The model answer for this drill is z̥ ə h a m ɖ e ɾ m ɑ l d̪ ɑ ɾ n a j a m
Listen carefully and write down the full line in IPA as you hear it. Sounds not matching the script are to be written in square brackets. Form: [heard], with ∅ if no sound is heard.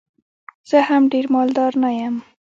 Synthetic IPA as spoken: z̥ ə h a m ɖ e ɾ m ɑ l d̪ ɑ ɾ n a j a m